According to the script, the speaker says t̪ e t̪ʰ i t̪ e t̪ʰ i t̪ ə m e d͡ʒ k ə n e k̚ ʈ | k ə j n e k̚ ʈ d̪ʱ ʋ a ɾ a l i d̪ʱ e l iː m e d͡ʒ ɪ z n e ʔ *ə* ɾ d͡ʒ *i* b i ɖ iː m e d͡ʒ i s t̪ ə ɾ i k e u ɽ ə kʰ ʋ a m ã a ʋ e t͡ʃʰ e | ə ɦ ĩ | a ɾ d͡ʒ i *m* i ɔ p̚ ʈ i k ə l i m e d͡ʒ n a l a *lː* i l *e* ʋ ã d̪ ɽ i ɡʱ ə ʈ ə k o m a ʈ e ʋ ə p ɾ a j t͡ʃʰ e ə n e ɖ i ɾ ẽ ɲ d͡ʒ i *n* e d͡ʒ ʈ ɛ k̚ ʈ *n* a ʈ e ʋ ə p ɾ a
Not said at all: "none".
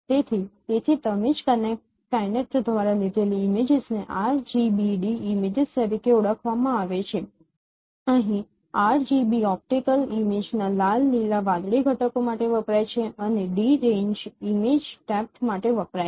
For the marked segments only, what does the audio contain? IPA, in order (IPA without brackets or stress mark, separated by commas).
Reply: a, i, b, lː, a, m, m